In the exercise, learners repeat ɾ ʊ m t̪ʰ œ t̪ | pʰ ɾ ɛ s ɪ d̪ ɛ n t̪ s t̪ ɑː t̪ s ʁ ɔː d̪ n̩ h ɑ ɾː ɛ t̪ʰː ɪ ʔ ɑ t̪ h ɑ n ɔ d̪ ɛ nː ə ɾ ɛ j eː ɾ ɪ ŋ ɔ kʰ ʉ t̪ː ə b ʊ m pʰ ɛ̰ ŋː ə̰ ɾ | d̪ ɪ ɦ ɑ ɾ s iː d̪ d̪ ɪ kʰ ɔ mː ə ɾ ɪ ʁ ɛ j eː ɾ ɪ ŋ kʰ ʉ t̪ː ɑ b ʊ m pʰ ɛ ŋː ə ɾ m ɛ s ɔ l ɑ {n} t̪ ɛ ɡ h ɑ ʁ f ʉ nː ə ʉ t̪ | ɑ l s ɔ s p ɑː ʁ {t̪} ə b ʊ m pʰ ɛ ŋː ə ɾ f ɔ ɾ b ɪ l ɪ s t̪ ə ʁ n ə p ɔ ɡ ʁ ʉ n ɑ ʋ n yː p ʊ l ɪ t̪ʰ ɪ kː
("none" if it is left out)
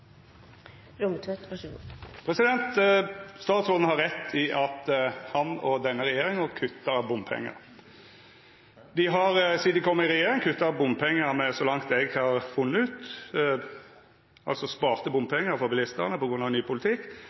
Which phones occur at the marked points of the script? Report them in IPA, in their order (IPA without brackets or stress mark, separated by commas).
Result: ŋ, t̪